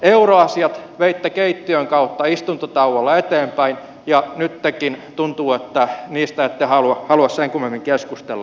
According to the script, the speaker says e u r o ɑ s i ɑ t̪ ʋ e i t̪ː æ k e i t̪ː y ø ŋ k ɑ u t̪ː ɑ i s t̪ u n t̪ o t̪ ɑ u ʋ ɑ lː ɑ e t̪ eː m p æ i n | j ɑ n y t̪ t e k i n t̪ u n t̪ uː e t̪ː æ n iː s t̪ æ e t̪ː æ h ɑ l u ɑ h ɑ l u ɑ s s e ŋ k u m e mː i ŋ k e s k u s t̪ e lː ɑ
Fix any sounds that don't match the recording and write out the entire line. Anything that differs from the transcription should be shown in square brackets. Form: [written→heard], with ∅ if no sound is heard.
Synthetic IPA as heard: e u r o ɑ s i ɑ t̪ ʋ e i t̪ː æ k e i t̪ː [y→i] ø ŋ k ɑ u t̪ː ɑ i s t̪ u n t̪ o t̪ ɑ u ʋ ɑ lː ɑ e t̪ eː m p æ i n | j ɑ n y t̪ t e k i n t̪ u n t̪ uː e t̪ː æ n iː s t̪ æ e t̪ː [æ→e] h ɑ l u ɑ h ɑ l u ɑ s s e ŋ k u m e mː i ŋ k e s k u s t̪ e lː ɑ

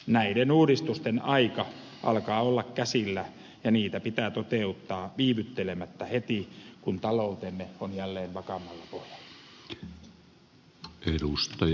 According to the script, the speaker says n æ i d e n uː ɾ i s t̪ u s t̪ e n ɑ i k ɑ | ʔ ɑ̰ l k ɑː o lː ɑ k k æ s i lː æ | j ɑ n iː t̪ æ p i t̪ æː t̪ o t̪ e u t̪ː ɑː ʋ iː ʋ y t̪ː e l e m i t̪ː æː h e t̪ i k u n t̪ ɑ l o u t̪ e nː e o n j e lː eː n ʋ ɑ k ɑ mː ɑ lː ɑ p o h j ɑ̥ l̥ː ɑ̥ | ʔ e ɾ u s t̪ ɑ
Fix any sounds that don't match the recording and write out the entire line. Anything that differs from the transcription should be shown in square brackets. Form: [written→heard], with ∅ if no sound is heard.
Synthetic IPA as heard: n æ i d e n uː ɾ i s t̪ u s t̪ e n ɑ i k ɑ | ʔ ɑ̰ l k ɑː o lː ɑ k k æ s i lː æ | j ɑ n iː t̪ æ p i t̪ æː t̪ o t̪ e u t̪ː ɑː ʋ iː ʋ y t̪ː e l e m [i→æ] t̪ː [æː→æ] h e t̪ i k u n t̪ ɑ l o u t̪ e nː e o n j [e→æ] lː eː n ʋ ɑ k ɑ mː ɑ lː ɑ p o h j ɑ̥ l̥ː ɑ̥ | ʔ e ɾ u s t̪ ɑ

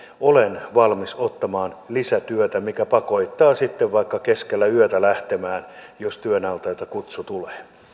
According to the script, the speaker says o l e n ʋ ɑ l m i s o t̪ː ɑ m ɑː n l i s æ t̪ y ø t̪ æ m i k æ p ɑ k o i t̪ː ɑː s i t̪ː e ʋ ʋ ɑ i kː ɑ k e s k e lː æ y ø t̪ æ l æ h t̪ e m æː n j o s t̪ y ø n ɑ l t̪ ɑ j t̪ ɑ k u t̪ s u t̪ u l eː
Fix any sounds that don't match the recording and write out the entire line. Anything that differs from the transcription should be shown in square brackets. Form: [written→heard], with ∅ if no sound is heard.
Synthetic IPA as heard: o l e n ʋ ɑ l m i s o t̪ː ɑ m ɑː n l i s æ t̪ y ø t̪ æ m i k æ p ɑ k o i t̪ː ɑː s i t̪ː e ʋ ʋ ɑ i kː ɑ k e s k e lː æ y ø t̪ æ l æ h t̪ e m æː n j o s t̪ y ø n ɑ l t̪ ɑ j t̪ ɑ k u t̪ s u t̪ u l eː

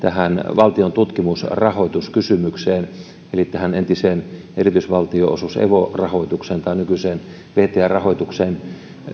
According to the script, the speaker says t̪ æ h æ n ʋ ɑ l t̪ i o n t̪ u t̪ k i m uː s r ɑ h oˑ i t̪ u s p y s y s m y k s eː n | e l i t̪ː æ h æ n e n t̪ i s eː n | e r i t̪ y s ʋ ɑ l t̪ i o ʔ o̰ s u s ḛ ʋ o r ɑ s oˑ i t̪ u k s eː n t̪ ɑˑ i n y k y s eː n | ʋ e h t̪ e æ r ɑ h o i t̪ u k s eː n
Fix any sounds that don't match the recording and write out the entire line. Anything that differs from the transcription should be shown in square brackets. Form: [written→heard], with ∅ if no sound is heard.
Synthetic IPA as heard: t̪ æ h æ n ʋ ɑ l t̪ i o n t̪ u t̪ k i m [uː→u] s r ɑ h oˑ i t̪ u s [p→k] y s y [s→∅] m y k s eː n | e l i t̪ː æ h æ n e n t̪ i s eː n | e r i t̪ y s ʋ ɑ l t̪ i o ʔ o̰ s u s ḛ ʋ o r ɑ [s→h] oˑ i t̪ u k s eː n t̪ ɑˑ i n y k y s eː n | ʋ e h t̪ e æ r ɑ h o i t̪ u k s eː n

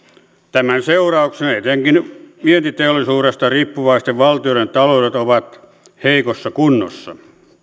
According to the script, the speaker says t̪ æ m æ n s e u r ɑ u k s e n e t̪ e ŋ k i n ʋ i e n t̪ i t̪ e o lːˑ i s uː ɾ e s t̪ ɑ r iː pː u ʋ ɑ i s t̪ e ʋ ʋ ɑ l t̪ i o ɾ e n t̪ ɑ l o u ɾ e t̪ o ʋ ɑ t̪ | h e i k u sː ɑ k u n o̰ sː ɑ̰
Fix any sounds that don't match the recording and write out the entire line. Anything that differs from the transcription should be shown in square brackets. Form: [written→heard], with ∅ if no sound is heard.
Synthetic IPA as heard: t̪ æ m æ n s e u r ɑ u k s e n e t̪ e ŋ k i n ʋ i e n t̪ i t̪ e o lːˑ i s uː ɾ e s t̪ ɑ r iː pː u ʋ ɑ i s t̪ e ʋ ʋ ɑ l t̪ i o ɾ e n t̪ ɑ l o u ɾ e t̪ o ʋ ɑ t̪ | h e i k [u→o] sː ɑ k u [n→nː] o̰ sː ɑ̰

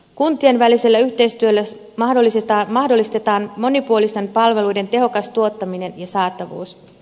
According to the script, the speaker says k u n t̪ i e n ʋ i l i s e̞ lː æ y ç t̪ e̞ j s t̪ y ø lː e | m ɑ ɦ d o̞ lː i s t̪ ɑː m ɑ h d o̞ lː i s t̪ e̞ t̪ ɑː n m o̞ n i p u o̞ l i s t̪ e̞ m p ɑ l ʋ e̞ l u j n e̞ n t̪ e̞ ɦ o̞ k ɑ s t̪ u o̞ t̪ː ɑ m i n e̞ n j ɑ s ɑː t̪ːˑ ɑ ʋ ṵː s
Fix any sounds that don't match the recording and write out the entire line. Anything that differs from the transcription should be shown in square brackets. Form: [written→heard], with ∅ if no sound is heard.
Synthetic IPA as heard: k u n t̪ i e n ʋ [i→æ] l i s e̞ lː æ y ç t̪ e̞ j s t̪ y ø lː [e→æ] | m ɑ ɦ d o̞ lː i s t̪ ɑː m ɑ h d o̞ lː i s t̪ e̞ t̪ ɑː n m o̞ n i p u o̞ l i s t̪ e̞ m p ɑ l ʋ e̞ l u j [n→d] e̞ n t̪ e̞ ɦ o̞ k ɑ s t̪ u o̞ t̪ː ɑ m i n e̞ n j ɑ s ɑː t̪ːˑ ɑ ʋ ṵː s

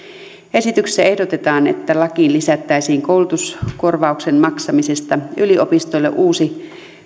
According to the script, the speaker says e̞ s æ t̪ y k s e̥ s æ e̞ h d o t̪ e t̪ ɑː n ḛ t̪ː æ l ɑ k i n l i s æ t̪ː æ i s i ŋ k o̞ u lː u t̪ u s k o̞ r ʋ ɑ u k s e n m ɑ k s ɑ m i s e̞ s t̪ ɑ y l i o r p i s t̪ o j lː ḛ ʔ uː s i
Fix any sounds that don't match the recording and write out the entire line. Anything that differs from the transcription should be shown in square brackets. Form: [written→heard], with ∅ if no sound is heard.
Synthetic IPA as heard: e̞ s [æ→i] t̪ y k s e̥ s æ e̞ h d o t̪ e t̪ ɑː n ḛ t̪ː æ l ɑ k i n l i s æ t̪ː æ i s [i→iː] ŋ k o̞ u [lː→l] u t̪ u s k o̞ r ʋ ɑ u k s e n m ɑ k s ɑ m i s e̞ s t̪ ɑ y l i o [r→∅] p i s t̪ o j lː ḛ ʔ uː s i

